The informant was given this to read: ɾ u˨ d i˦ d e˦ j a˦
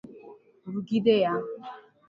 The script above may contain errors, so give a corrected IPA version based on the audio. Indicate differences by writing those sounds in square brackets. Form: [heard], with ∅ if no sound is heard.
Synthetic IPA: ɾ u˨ [ɡ] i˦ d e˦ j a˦